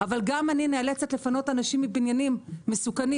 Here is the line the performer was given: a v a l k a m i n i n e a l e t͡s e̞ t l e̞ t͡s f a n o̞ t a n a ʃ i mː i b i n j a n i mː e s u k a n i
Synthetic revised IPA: a v a l ɡ a m a n i n e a l e t͡s e̞ t l e̞ f a n o̞ t a n a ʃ i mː i b i n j a n i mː e s u k a n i